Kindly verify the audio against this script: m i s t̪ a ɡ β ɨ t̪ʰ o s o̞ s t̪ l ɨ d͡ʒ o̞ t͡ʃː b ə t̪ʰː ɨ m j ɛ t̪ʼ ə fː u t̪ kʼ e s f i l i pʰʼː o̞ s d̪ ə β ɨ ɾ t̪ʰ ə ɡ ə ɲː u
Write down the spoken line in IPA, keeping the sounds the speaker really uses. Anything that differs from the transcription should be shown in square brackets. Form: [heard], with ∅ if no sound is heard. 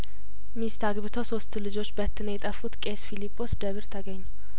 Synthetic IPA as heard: m i s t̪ a ɡ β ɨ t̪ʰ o s o̞ s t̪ l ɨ d͡ʒ o̞ t͡ʃː b ə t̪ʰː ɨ [n] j ɛ t̪ʼ ə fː u t̪ kʼ e s f i l i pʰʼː o̞ s d̪ ə β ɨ ɾ t̪ʰ ə ɡ ə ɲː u

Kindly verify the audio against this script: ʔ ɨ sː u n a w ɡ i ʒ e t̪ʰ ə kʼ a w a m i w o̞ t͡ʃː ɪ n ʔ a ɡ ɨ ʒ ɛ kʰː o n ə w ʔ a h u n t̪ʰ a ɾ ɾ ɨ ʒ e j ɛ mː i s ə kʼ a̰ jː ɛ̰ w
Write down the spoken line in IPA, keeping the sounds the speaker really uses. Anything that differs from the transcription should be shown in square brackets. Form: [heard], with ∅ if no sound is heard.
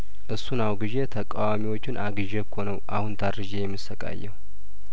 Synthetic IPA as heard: ʔ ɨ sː u n a w ɡ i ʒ e t̪ʰ ə kʼ a w a m i w o̞ t͡ʃː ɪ n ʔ a ɡ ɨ ʒ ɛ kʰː o n ə w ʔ a h u n t̪ʰ a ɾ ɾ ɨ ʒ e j ɛ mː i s ə kʼ a̰ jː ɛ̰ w

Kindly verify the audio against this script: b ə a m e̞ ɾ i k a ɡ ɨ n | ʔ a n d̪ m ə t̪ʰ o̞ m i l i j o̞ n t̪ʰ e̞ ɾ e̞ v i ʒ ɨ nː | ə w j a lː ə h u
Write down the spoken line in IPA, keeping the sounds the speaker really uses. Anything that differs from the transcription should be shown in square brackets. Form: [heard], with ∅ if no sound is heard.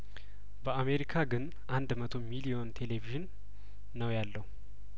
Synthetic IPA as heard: b ə a m e̞ ɾ i [kʰ] a ɡ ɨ n | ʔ a n d̪ m ə t̪ʰ o̞ m i l i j o̞ n t̪ʰ e̞ [l] e̞ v i ʒ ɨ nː | ə w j a lː ə h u

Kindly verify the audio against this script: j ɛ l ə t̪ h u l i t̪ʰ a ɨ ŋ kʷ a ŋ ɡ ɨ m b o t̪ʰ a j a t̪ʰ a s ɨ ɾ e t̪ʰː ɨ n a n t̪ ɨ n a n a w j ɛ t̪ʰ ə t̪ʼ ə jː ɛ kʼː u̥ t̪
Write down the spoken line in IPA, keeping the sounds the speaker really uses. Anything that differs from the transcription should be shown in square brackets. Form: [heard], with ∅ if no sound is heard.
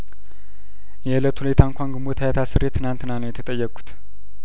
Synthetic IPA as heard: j ɛ l ə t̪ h u l [e] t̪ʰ a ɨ ŋ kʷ a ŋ ɡ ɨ m b o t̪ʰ a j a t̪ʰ a s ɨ ɾ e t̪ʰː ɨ n a n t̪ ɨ n a n [ə] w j ɛ t̪ʰ ə t̪ʼ ə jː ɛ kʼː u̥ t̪

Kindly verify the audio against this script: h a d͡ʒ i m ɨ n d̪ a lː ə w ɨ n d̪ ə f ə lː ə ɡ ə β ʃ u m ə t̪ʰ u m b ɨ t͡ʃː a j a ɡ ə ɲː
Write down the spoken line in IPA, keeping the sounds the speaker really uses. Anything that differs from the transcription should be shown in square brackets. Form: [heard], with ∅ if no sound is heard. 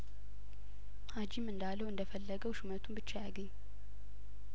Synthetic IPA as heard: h a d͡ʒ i m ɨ n d̪ a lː ə w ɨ n d̪ ə f ə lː ə ɡ ə [w] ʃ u m ə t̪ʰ u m b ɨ t͡ʃː a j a ɡ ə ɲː

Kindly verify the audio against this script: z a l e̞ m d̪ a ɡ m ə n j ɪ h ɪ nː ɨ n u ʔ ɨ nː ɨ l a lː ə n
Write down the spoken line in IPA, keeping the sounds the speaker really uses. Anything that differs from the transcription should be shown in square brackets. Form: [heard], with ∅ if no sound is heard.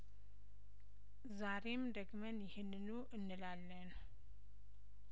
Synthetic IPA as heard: z a [ɾ] e̞ m d̪ [ə] ɡ m ə n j ɪ h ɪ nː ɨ n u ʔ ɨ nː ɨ l a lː ə n

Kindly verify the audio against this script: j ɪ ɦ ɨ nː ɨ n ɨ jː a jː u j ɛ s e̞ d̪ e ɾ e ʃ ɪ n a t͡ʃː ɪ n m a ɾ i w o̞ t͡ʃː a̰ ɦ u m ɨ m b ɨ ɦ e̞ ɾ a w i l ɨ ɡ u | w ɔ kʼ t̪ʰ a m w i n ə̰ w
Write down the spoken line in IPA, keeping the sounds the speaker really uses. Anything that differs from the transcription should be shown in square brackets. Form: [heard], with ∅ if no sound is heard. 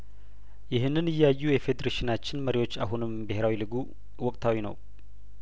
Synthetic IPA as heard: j ɪ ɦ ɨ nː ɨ n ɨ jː a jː u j ɛ [f] e̞ d̪ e ɾ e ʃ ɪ n a t͡ʃː ɪ n m [ə] ɾ i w o̞ t͡ʃː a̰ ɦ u [n] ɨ m b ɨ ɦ e̞ ɾ a w i l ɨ ɡ u | w ɔ kʼ t̪ʰ a [∅] w i n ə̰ w

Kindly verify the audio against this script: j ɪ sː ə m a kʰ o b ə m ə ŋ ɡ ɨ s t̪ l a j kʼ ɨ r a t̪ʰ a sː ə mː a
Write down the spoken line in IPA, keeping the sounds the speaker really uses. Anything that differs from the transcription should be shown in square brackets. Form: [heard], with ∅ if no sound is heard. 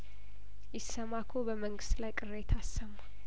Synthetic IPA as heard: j ɪ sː ə m a kʰ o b ə m ə ŋ ɡ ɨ s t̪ l a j kʼ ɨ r [e] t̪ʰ a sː ə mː a

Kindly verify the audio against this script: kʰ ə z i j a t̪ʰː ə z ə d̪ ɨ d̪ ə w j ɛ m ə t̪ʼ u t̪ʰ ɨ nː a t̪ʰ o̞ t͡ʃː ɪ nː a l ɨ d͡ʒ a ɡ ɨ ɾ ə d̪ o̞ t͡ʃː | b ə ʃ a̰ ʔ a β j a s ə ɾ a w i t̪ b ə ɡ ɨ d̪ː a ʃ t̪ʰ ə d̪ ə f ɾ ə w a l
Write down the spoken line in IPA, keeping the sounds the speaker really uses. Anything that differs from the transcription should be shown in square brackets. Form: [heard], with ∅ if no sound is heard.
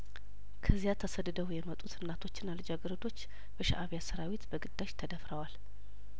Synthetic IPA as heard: kʰ ə z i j a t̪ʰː ə [s] ə d̪ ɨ d̪ ə w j ɛ m ə t̪ʼ u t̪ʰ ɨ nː a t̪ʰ o̞ t͡ʃː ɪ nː a l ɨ d͡ʒ a ɡ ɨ ɾ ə d̪ o̞ t͡ʃː | b ə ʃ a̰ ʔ a β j a s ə ɾ a w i t̪ b ə ɡ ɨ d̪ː a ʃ t̪ʰ ə d̪ ə f ɾ ə w a l

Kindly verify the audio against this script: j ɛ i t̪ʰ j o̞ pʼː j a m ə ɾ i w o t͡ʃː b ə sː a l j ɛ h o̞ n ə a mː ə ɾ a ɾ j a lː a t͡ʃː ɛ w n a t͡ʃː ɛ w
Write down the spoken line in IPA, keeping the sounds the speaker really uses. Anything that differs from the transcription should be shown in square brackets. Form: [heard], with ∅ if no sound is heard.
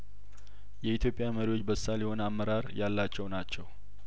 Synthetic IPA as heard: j ɛ i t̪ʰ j o̞ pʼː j a m ə ɾ i w o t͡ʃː b ə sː a l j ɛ h o̞ n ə a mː ə ɾ a ɾ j a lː a t͡ʃː ɛ w n a t͡ʃː ɛ w

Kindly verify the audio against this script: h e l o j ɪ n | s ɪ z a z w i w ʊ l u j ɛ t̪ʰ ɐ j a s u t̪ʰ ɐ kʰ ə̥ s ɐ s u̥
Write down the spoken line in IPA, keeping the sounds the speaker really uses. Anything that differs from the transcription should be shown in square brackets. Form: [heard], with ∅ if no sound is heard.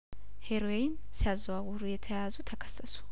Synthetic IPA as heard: h e [ɾ] o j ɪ n | s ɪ [∅] a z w [a] w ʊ [ɾ] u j ɛ t̪ʰ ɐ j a [z] u t̪ʰ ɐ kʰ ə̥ s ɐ s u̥

